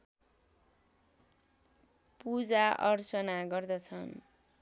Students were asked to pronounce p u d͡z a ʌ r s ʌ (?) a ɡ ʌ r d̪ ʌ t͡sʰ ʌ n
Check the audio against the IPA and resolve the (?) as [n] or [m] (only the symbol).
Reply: n